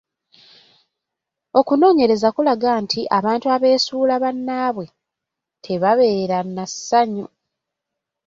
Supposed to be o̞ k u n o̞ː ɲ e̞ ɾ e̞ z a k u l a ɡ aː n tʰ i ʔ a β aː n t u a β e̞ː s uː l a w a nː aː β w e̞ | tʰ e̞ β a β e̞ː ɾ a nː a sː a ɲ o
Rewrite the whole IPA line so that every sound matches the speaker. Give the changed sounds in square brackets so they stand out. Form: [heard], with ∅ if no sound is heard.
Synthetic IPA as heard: o̞ k u n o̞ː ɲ e̞ ɾ e̞ z a k u l a ɡ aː n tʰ i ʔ a β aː n t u a β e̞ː s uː l a [β] a nː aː β w e̞ | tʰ e̞ β a β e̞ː ɾ a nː a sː a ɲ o